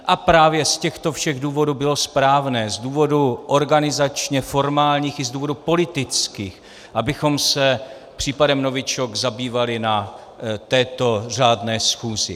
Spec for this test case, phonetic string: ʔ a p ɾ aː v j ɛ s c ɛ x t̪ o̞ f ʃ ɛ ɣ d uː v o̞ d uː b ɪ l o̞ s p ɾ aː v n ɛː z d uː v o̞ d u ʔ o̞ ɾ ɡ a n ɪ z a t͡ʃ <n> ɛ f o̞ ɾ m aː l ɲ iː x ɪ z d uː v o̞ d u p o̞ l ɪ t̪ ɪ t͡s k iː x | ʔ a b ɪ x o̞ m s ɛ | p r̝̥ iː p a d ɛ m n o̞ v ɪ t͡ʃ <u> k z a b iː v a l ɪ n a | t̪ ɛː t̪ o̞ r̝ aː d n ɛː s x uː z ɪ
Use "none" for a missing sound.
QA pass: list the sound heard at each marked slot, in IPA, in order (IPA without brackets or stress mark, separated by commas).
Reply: ɲ, o